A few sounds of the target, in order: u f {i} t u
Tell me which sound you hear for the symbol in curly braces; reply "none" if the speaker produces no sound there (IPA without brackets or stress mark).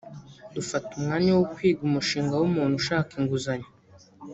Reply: a